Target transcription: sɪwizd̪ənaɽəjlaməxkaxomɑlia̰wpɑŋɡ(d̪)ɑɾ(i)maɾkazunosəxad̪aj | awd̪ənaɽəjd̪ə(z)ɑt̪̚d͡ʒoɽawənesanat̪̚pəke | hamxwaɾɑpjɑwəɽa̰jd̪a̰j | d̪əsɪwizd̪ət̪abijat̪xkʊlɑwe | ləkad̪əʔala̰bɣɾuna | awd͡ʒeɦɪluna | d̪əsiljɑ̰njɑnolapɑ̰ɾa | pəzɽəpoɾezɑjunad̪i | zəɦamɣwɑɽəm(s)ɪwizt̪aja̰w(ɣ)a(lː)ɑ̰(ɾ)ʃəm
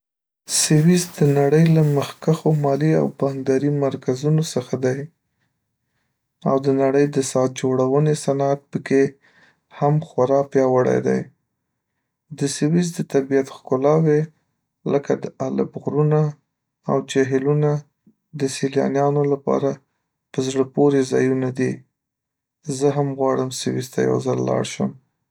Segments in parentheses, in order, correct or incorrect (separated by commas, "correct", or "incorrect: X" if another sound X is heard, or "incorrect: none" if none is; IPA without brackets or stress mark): correct, correct, incorrect: s, correct, incorrect: z, correct, incorrect: ɽ